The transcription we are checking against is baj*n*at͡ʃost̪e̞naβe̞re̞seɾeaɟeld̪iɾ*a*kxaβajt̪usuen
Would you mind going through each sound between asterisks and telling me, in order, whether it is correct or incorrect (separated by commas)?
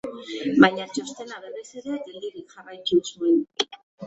incorrect, incorrect